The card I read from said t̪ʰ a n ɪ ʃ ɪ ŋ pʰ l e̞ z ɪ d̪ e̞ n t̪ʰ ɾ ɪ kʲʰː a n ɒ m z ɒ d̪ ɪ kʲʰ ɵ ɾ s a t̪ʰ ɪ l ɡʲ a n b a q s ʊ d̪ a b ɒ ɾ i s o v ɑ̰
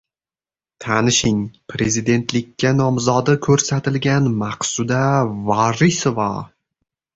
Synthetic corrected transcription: t̪ʰ a n ɪ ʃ ɪ ŋ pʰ ɾ e̞ z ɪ d̪ e̞ n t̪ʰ l ɪ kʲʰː a n ɒ m z ɒ d̪ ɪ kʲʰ ɵ ɾ s a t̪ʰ ɪ l ɡʲ a n m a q s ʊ d̪ a v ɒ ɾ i s o v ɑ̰

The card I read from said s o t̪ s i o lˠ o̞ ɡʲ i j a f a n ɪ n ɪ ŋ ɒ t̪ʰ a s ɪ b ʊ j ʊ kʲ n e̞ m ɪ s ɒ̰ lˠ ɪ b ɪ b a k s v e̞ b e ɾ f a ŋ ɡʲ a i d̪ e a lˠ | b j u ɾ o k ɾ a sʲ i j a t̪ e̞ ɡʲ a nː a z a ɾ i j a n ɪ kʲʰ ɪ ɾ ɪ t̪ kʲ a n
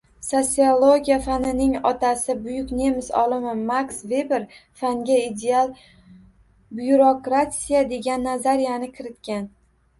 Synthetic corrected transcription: s o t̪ s i o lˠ o̞ ɡʲ i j a f a n ɪ n ɪ ŋ ɒ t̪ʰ a s ɪ b ʊ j ʊ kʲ n e̞ m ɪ s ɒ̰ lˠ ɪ m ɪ m a k s v e̞ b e ɾ f a ŋ ɡʲ a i d̪ e a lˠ | b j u ɾ o k ɾ a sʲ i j a d̪ e̞ ɡʲ a nː a z a ɾ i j a n ɪ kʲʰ ɪ ɾ ɪ t̪ kʲ a n

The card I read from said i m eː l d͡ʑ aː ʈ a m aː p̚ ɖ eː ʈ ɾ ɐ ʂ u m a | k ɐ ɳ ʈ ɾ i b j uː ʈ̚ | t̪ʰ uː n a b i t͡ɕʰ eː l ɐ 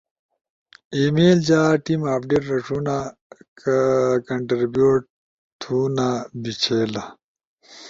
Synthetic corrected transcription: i m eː l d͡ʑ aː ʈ i m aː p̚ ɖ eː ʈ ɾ ɐ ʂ u n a | k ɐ ɳ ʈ ɾ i b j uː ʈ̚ | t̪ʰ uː n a b i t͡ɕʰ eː l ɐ

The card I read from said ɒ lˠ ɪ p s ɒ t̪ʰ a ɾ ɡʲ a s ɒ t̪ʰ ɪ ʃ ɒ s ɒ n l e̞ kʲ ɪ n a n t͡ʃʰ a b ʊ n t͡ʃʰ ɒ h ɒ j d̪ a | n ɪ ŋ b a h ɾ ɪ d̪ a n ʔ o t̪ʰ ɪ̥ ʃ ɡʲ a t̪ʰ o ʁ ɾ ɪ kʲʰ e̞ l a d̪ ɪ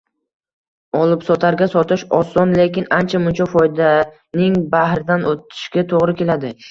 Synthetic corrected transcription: ɒ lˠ ɪ p s ɒ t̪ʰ a ɾ ɡʲ a s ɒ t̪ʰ ɪ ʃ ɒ s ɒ n l e̞ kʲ ɪ n a n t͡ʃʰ a m ʊ n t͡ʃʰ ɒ f ɒ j d̪ a | n ɪ ŋ b a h ɾ ɪ d̪ a n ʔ o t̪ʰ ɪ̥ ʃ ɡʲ a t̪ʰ o ʁ ɾ ɪ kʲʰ e̞ l a d̪ ɪ

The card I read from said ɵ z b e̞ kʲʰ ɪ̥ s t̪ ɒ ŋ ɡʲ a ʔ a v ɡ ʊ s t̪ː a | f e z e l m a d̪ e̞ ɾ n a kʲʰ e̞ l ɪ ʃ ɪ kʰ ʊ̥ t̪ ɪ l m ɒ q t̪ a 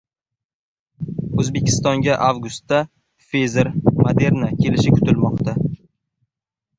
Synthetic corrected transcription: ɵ z b e̞ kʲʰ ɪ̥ s t̪ ɒ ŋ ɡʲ a ʔ a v ɡ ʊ s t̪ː a | f e z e ɾ m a d̪ e̞ ɾ n a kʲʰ e̞ l ɪ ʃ ɪ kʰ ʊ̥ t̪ ɪ l m ɒ q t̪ a

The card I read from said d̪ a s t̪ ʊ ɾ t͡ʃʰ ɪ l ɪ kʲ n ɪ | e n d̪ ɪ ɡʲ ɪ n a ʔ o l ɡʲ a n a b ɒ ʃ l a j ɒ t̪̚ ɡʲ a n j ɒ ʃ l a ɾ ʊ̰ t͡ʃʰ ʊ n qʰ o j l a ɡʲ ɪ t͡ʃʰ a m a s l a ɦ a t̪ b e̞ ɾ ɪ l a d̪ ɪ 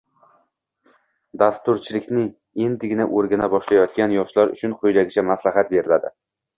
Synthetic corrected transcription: d̪ a s t̪ ʊ ɾ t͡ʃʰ ɪ l ɪ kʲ n ɪ | e n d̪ ɪ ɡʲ ɪ n a ʔ o ɾ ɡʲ a n a b ɒ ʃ l a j ɒ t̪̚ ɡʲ a n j ɒ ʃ l a ɾ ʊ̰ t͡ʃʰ ʊ n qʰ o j l a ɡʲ ɪ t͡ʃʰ a m a s l a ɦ a t̪ b e̞ ɾ ɪ l a d̪ ɪ

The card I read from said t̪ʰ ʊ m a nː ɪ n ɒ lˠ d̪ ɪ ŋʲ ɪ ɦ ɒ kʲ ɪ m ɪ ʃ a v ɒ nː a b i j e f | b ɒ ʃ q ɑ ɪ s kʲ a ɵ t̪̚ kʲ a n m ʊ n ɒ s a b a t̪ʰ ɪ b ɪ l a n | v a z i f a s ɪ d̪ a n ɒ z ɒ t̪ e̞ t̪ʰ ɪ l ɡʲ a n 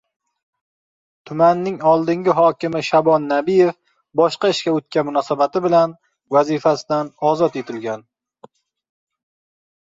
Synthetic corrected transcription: t̪ʰ ʊ m a nː ɪ ŋ ɒ lˠ d̪ ɪ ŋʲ ɪ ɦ ɒ kʲ ɪ m ɪ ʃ a b ɒ nː a b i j e f | b ɒ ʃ q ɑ ɪ ʃ kʲ a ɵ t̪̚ kʲ a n m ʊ n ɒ s a b a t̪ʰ ɪ b ɪ l a n | v a z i f a s ɪ d̪ a n ɒ z ɒ t̪ e̞ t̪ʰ ɪ l ɡʲ a n

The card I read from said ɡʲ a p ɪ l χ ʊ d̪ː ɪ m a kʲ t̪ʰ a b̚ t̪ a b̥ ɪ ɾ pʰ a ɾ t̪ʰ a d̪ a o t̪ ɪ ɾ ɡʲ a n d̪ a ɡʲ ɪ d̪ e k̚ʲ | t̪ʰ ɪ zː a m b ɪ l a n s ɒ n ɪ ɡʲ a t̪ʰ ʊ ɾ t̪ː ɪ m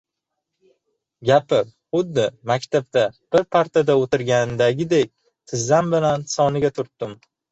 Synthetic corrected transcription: ɡʲ a p ɪ ɾ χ ʊ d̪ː ɪ m a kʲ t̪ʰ a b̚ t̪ a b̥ ɪ ɾ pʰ a ɾ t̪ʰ a d̪ a o t̪ ɪ ɾ ɡʲ a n d̪ a ɡʲ ɪ d̪ e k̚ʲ | t̪ʰ ɪ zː a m b ɪ l a n s ɒ n ɪ ɡʲ a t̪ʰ ʊ ɾ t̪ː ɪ m

